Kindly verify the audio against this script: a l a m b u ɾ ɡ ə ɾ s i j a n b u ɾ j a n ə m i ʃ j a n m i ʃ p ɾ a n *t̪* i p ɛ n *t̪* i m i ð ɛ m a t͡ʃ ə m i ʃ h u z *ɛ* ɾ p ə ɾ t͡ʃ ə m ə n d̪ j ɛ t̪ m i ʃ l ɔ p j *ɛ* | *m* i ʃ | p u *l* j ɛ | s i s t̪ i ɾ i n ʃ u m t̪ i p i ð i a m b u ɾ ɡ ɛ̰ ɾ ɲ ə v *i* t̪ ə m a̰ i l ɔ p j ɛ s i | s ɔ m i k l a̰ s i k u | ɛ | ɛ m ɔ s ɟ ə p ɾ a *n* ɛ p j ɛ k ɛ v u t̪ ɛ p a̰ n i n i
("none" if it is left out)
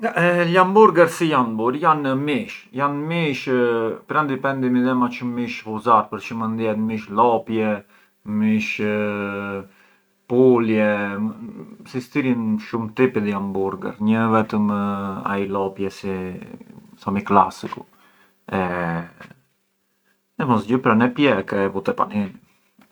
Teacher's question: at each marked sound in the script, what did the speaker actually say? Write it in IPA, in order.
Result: d̪, d̪, a, ɛ, m, l, ɛ, n

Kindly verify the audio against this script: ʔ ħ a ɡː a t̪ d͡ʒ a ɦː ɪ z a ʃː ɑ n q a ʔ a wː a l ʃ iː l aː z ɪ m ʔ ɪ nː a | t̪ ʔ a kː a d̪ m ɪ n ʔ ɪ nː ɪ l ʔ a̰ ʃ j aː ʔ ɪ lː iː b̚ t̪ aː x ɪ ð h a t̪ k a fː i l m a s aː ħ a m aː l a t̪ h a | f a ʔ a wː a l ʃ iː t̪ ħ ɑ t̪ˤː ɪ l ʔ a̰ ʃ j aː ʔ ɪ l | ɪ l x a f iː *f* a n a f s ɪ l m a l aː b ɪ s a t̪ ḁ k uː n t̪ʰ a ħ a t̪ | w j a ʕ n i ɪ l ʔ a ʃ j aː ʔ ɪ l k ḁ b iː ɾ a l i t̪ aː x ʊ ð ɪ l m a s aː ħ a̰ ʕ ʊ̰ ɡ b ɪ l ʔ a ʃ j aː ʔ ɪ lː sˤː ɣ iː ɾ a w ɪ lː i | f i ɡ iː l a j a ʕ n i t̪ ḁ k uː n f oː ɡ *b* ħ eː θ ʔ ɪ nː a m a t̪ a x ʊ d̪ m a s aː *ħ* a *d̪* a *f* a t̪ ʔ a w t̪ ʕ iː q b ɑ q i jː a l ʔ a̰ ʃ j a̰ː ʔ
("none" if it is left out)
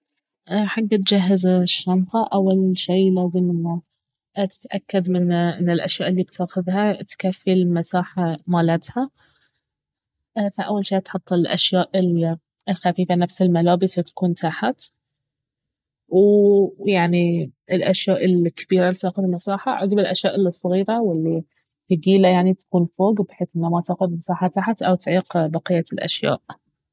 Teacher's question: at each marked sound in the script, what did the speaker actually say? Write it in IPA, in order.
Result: f, b, ħ, t̪, ħ

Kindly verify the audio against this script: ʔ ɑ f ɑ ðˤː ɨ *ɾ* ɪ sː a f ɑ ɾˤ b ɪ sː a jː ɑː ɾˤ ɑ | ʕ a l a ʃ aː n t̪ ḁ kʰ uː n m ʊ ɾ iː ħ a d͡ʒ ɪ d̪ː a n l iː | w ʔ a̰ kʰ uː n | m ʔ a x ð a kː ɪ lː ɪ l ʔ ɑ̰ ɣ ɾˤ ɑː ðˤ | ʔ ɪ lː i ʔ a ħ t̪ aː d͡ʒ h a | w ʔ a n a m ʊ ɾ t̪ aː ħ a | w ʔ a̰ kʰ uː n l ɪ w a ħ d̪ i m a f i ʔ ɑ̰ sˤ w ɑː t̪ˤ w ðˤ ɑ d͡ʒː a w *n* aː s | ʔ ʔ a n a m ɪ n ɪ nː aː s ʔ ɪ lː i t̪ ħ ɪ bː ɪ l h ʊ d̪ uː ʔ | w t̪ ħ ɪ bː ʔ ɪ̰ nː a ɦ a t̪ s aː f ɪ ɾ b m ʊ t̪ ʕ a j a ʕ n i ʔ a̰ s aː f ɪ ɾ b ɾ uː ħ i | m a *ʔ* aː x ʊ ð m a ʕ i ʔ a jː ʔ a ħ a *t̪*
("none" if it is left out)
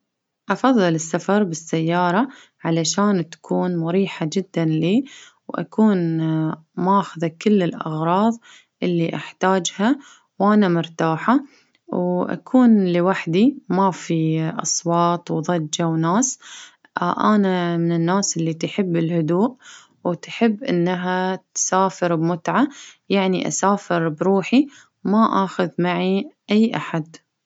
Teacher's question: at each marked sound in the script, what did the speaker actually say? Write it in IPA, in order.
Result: l, n, ʔ, d̪

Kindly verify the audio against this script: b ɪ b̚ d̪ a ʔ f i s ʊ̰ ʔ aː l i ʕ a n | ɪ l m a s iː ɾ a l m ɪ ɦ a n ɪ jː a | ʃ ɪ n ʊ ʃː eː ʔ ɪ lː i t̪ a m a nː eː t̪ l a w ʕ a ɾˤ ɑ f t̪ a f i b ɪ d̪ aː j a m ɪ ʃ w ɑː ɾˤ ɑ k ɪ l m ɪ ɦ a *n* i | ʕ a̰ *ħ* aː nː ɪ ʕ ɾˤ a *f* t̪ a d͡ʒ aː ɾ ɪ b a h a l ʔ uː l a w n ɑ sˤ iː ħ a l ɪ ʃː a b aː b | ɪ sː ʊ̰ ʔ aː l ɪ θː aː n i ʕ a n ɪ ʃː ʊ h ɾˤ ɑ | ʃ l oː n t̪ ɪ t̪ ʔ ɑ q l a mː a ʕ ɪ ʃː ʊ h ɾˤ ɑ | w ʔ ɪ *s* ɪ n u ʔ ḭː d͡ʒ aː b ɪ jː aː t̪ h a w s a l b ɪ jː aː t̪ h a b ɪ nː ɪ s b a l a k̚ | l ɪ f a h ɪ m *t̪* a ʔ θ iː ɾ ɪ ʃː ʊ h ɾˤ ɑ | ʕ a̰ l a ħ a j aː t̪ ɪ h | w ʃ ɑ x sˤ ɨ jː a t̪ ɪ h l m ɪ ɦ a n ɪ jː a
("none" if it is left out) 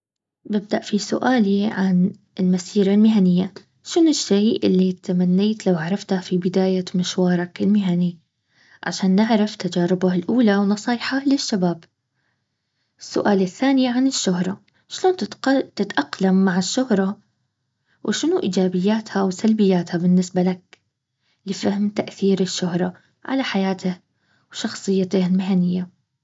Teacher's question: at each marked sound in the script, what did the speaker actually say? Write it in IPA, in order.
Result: n, ʃ, f, ʃ, t̪

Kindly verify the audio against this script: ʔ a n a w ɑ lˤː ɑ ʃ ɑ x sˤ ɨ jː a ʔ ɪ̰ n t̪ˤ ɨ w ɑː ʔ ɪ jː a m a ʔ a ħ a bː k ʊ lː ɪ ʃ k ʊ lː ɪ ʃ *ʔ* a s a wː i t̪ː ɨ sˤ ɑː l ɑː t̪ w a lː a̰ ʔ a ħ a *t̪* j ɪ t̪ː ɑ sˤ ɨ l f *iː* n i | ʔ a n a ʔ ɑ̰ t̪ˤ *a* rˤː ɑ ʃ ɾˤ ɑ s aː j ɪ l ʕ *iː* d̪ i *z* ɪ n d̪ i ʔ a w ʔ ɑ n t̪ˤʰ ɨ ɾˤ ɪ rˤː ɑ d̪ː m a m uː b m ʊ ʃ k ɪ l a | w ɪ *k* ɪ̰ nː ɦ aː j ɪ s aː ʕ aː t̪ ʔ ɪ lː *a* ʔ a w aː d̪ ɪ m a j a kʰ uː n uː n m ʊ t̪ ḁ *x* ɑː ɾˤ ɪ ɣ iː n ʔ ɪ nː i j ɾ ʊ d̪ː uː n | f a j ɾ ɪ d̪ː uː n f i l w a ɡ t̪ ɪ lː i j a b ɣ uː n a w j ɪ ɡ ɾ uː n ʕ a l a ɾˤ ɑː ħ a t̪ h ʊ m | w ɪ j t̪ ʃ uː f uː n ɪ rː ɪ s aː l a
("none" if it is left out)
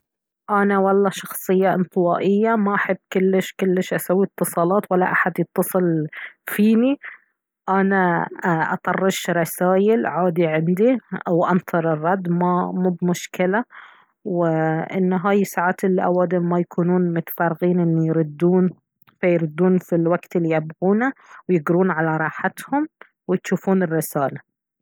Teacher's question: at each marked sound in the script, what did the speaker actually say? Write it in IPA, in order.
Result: ʔ, d̪, iː, ɑ, aː, ʕ, ʔ, i, f

